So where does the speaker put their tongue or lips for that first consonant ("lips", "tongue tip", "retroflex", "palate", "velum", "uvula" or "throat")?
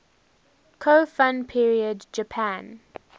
velum